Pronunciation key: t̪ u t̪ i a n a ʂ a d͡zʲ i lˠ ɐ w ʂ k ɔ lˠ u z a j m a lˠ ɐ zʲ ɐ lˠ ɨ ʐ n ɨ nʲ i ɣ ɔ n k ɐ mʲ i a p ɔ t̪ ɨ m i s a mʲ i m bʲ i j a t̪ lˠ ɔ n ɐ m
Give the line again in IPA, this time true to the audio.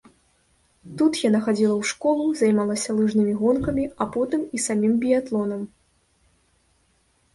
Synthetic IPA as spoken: t̪ u t̪ j a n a x a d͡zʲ i lˠ ɐ w ʂ k ɔ lˠ u z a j m a lˠ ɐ sʲ ɐ lˠ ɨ ʐ n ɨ mʲ i ɣ ɔ n k ɐ mʲ i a p ɔ t̪ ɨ m i s a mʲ i m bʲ i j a t̪ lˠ ɔ n ɐ m

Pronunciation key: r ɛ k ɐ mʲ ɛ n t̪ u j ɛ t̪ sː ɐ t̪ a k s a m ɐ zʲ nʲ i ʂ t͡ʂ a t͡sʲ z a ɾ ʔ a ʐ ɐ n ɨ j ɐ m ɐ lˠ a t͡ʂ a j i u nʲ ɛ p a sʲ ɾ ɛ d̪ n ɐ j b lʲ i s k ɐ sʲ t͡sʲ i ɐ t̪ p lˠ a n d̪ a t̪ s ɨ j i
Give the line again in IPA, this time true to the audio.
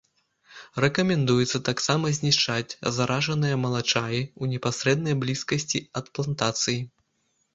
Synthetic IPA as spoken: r ɛ k ɐ mʲ ɛ n d̪ u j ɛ t̪ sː ɐ t̪ a k s a m ɐ zʲ nʲ i ʂ t͡ʂ a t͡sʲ z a ɾ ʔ a ʐ ɐ n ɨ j ɐ m ɐ lˠ a t͡ʂ a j i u nʲ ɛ p a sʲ ɾ ɛ d̪ n ɐ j b lʲ i s k ɐ sʲ t͡sʲ i ɐ t̪ p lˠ a n t̪ a t̪ s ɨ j i

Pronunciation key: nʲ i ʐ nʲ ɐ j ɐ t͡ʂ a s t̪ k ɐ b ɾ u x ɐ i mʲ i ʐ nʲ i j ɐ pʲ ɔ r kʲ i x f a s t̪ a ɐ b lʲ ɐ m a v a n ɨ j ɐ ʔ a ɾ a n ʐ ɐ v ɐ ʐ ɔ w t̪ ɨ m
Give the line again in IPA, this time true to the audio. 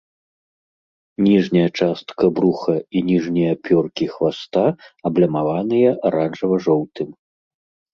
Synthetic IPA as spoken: nʲ i ʐ nʲ ɐ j ɐ t͡ʂ a s t̪ k ɐ b ɾ u x ɐ i nʲ i ʐ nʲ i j ɐ pʲ ɔ r kʲ i x v a s t̪ a ɐ b lʲ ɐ m a v a n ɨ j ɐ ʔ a ɾ a n ʐ ɐ v ɐ ʐ ɔ w t̪ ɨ m

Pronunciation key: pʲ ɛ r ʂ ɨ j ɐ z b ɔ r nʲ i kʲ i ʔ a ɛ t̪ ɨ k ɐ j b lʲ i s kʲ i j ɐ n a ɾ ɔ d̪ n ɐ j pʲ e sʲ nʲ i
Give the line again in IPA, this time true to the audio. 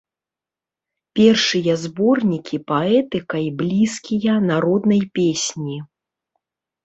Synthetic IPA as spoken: pʲ ɛ r ʂ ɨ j ɐ z b ɔ r nʲ i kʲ i p a ɛ t̪ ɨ k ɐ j b lʲ i s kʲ i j ɐ n a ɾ ɔ d̪ n ɐ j pʲ e sʲ nʲ i

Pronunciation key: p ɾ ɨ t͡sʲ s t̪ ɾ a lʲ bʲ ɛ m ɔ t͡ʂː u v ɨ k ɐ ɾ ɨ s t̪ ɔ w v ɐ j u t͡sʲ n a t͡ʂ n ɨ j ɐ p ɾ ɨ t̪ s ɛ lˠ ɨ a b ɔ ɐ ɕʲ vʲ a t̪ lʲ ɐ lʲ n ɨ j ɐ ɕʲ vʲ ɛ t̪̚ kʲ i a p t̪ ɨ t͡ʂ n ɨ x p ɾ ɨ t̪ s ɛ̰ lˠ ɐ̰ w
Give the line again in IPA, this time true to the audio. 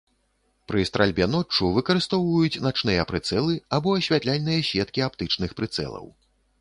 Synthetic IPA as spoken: p ɾ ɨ s t̪ ɾ a lʲ bʲ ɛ n ɔ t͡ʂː u v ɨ k ɐ ɾ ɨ s t̪ ɔ w v ɐ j u t͡sʲ n a t͡ʂ n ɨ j ɐ p ɾ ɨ t̪ s ɛ lˠ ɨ a b ɔ ɐ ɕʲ vʲ a t̪ lʲ a lʲ n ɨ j ɐ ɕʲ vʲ ɛ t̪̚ kʲ i a p t̪ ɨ t͡ʂ n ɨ x p ɾ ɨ t̪ s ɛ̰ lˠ ɐ̰ w

